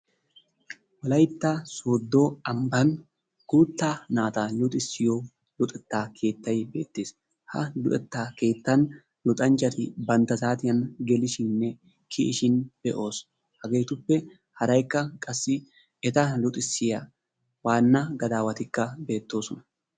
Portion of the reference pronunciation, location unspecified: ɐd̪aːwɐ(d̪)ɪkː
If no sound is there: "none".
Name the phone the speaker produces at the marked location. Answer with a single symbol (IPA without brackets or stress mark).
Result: t̪